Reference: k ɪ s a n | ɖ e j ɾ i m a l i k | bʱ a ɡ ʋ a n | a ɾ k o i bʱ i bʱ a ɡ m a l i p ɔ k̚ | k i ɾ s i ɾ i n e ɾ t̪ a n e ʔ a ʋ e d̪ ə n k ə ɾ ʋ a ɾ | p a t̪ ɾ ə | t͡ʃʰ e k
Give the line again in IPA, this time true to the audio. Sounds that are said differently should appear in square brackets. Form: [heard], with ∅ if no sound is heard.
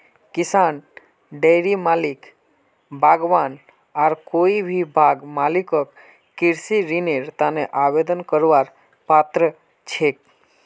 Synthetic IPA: k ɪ s a n | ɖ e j ɾ i m a l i k | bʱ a ɡ ʋ a n | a ɾ k o i bʱ i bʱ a ɡ m a l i [k] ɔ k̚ | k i ɾ s i ɾ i n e ɾ t̪ a n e ʔ a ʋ e d̪ ə n k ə ɾ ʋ a ɾ | p a t̪ ɾ ə | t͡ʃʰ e k